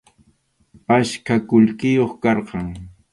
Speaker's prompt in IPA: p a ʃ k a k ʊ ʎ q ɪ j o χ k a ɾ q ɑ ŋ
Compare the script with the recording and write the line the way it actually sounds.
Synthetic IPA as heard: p a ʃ k a k ʊ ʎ k ɪ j o χ k ɑ ɾ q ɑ ŋ